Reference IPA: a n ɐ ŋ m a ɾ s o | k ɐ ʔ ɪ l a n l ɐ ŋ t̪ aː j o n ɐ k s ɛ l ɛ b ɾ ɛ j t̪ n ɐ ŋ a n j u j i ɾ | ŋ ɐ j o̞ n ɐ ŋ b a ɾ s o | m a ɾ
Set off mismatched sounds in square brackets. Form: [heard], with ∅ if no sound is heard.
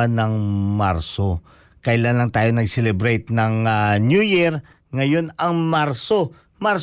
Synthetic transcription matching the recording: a n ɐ ŋ m a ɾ s o | k ɐ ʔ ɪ l a n l ɐ ŋ t̪ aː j o n ɐ [ɡ] s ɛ l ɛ b ɾ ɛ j t̪ n ɐ ŋ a n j u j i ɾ | ŋ ɐ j o̞ n ɐ ŋ [m] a ɾ s o | m a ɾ